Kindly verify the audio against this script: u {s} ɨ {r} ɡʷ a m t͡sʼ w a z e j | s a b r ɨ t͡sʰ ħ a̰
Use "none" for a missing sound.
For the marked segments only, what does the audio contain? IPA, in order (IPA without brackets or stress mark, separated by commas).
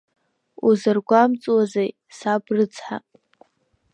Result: z, r